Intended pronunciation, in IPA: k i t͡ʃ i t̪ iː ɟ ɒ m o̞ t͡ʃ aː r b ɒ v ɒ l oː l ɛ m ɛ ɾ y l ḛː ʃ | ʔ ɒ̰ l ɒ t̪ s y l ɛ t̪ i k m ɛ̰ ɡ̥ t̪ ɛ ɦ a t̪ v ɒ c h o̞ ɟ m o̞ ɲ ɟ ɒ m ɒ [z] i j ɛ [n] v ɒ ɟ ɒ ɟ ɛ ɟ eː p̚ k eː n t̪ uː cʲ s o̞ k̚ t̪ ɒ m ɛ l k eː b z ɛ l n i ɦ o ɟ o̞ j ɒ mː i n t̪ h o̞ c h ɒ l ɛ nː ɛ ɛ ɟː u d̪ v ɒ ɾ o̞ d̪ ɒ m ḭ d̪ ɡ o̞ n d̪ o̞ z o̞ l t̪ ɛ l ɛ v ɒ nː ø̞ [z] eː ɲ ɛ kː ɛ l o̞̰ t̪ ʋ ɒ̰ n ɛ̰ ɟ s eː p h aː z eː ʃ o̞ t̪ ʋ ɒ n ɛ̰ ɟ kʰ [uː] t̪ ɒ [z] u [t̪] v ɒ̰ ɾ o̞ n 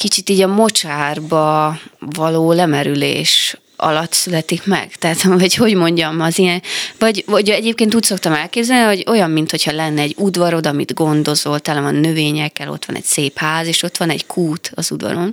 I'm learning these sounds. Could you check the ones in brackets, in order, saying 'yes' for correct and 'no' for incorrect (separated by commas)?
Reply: yes, yes, no, yes, yes, no